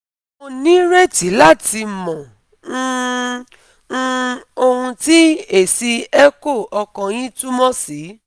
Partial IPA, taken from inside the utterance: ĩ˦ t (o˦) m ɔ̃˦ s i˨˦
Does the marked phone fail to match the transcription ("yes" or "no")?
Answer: yes